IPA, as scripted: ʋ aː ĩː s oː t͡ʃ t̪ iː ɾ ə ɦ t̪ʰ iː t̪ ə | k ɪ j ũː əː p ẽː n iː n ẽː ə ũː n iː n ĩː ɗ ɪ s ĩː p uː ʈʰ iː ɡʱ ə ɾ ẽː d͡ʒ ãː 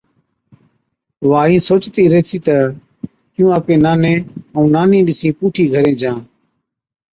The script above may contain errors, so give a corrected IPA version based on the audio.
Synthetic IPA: ʋ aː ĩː s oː t͡ʃ t̪ iː ɾ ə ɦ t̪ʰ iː t̪ ə | k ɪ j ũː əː p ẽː n aː n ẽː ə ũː n aː n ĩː ɗ ɪ s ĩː p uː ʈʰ iː ɡʱ ə ɾ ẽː d͡ʒ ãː